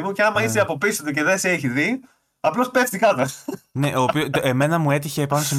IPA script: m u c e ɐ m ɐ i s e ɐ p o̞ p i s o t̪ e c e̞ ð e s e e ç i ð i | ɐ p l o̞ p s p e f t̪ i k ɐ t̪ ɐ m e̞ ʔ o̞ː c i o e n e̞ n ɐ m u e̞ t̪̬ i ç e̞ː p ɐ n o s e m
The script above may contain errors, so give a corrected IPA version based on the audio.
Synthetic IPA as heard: m u c e ɐ m ɐ i s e ɐ p o̞ p i s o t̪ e c e̞ ð e s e e ç i ð i | ɐ p l o̞ s p e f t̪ i k ɐ t̪ ɐ n e̞ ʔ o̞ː p i o e m e̞ n ɐ m u e̞ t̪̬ i ç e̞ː p ɐ n o s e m